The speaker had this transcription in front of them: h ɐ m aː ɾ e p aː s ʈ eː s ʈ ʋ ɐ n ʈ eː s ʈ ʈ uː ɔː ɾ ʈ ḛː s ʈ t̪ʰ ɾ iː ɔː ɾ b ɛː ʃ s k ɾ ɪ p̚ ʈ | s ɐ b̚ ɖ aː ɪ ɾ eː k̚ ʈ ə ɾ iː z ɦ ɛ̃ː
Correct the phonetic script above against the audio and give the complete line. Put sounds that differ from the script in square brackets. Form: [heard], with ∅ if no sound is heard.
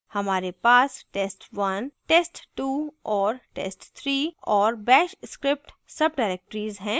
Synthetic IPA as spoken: h ɐ m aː ɾ e p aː s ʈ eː s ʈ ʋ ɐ n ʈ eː s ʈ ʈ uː ɔː ɾ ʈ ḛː s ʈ t̪ʰ ɾ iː ɔː ɾ b ɛː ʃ s k ɾ ɪ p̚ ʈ | s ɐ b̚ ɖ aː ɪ ɾ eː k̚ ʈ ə ɾ iː z ɦ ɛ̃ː